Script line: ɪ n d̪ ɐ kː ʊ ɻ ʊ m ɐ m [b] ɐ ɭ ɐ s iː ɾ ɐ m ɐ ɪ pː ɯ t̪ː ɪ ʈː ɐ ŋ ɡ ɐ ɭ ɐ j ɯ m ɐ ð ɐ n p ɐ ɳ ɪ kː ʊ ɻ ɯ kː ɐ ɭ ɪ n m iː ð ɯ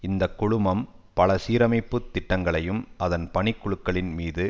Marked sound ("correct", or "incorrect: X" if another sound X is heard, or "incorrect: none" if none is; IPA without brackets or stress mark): incorrect: p